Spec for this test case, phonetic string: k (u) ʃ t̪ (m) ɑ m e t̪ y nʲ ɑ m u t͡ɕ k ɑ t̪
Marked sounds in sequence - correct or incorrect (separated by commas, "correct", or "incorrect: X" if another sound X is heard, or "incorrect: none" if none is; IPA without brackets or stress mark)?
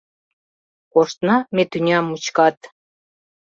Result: incorrect: o, incorrect: n